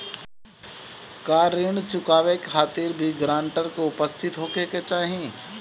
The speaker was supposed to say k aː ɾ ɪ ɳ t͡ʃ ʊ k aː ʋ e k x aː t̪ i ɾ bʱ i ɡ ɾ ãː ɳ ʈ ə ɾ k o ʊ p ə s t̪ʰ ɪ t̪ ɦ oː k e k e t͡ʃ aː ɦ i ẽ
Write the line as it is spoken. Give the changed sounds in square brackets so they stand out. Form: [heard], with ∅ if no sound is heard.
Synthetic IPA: k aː ɾ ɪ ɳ t͡ʃ ʊ k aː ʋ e k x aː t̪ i ɾ bʱ i ɡ ɾ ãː ɳ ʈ ə ɾ k o ʊ p ə s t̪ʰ ɪ t̪ ɦ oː k e k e t͡ʃ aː ɦ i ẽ